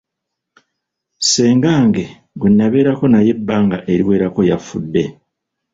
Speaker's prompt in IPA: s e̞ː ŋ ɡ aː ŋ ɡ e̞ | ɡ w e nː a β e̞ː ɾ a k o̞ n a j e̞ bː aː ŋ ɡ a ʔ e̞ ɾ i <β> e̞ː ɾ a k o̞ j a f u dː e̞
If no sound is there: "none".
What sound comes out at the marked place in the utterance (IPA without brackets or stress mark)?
w